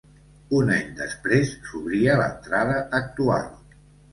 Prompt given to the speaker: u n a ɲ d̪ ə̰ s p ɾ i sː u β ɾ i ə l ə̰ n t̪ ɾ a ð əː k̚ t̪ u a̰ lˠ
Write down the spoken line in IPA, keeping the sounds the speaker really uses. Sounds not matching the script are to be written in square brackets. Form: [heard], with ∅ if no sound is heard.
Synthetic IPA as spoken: u n a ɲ d̪ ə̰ s p ɾ [e] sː u β ɾ i ə l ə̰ n t̪ ɾ a ð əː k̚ t̪ u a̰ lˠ